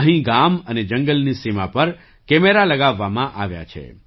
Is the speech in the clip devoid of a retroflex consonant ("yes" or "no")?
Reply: yes